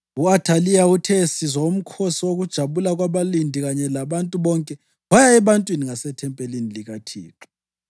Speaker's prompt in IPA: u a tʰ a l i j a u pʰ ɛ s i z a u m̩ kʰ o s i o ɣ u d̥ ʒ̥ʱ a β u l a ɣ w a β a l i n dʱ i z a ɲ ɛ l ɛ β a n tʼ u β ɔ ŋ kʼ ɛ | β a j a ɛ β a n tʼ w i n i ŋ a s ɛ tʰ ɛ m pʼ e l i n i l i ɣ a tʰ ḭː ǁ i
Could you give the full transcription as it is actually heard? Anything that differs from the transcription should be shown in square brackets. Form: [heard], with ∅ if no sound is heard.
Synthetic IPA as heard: u a tʰ a l i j a u [tʰ] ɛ s i z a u m̩ kʰ o s i o ɣ u d̥ ʒ̥ʱ a β u l a ɣ w a β a l i n dʱ i [ɣ] a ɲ ɛ l [a] β a n tʼ u β ɔ ŋ kʼ ɛ | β a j a ɛ β a n tʼ w i n i ŋ a s ɛ tʰ ɛ m pʼ e l i n i l i ɣ a tʰ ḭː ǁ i